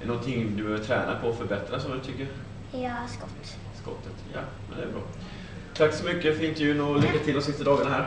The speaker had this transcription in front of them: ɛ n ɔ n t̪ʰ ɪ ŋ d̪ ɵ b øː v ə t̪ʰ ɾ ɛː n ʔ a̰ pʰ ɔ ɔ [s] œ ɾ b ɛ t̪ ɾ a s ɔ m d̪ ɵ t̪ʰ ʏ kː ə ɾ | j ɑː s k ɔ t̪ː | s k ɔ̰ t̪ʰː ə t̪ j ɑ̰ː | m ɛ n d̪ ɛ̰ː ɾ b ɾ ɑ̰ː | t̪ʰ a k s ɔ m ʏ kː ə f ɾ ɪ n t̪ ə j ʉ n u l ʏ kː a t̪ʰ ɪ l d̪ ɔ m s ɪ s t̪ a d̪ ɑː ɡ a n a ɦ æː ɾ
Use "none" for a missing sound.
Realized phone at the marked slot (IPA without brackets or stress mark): f